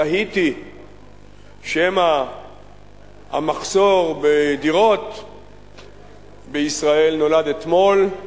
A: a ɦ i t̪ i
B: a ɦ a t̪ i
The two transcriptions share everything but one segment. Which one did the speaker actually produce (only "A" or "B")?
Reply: A